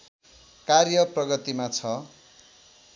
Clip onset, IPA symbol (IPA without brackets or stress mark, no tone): k